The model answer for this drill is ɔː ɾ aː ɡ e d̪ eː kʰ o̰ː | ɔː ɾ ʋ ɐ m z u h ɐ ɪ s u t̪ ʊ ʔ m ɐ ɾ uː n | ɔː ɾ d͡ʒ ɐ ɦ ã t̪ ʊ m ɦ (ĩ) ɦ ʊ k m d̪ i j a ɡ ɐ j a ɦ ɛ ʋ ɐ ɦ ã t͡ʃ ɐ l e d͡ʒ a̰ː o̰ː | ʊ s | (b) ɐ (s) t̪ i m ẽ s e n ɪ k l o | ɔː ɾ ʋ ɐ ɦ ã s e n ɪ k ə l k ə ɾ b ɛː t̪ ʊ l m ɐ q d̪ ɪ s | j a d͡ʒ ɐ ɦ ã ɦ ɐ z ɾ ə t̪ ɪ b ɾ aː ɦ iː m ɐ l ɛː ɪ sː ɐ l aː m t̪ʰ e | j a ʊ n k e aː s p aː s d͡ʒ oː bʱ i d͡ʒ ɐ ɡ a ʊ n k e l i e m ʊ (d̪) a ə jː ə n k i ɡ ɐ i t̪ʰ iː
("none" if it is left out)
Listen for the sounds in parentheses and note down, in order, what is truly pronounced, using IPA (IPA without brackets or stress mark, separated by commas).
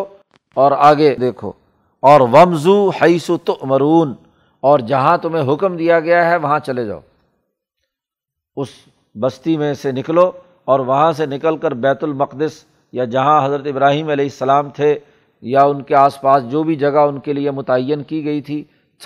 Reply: ẽ, b, s, t̪